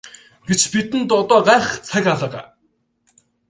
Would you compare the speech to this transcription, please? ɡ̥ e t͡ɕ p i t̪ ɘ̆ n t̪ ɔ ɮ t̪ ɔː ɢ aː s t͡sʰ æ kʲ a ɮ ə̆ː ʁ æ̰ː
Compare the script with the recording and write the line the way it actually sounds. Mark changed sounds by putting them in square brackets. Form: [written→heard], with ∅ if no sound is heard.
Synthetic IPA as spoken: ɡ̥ e t͡ɕ p i t̪ ɘ̆ n t̪ ɔ [ɮ→∅] t̪ ɔː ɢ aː [s→χ] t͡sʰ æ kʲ a ɮ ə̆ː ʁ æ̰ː

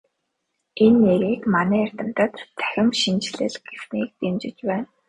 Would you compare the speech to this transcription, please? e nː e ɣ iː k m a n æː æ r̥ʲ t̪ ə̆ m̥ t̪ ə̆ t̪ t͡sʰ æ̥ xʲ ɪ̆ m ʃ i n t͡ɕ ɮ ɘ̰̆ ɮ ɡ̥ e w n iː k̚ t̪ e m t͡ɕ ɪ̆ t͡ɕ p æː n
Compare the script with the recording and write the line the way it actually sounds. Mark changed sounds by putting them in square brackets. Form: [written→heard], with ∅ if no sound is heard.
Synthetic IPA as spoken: e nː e ɣ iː k m a n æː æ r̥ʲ t̪ ə̆ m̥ t̪ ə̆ t̪ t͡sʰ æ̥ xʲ ɪ̆ m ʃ i n t͡ɕ ɮ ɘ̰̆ ɮ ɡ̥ e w n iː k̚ t̪ e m t͡ɕ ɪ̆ t͡ɕ p æː n

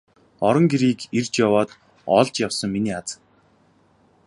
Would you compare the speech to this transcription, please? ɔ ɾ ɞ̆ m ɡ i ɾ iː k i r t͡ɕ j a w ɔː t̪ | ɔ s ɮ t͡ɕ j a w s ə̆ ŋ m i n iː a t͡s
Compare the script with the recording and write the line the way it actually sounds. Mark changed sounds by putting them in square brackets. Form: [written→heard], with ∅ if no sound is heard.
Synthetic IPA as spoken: ɔ ɾ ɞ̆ [m→ŋ] ɡ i ɾ iː k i r t͡ɕ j a w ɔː t̪ | ɔ [s→∅] ɮ t͡ɕ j a w s ə̆ ŋ m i n iː a t͡s

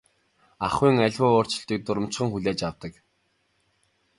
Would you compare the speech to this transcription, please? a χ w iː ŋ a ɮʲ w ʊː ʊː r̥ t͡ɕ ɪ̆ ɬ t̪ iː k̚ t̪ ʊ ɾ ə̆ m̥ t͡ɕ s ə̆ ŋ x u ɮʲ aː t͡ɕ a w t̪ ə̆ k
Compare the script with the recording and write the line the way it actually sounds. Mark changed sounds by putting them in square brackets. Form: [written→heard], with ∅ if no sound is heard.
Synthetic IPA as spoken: a χ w iː ŋ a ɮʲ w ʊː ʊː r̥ t͡ɕ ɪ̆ ɬ t̪ iː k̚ t̪ ʊ ɾ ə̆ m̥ t͡ɕ [s→χ] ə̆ ŋ x u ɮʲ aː t͡ɕ a w t̪ ə̆ k

